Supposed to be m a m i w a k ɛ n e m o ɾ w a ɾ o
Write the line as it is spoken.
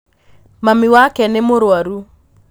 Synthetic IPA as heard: m a m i w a k ɛ n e m o ɾ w a ɾ u